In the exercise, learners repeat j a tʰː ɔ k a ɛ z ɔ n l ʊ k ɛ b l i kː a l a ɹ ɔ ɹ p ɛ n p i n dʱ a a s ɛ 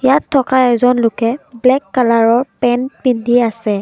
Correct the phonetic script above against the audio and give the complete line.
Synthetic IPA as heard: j a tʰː ɔ k a ɛ z ɔ n l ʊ k ɛ b l ɛ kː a l a ɹ ɔ ɹ p ɛ n p i n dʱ i a s ɛ